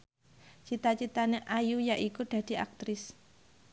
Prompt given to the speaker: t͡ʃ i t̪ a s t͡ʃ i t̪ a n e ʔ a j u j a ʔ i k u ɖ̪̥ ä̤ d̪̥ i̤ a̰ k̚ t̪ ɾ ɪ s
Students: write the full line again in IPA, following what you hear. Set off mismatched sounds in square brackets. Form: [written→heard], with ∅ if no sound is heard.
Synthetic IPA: t͡ʃ i t̪ a [s→∅] t͡ʃ i t̪ a n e ʔ a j u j a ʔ i k u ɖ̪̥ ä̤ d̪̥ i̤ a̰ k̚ t̪ ɾ ɪ s